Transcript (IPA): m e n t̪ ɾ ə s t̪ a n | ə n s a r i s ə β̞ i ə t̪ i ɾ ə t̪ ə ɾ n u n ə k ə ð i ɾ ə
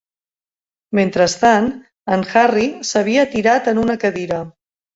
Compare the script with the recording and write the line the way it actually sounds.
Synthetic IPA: m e n t̪ ɾ ə s t̪ a n | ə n x a r i s ə β̞ i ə t̪ i ɾ a t̪ ə n u n ə k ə ð i ɾ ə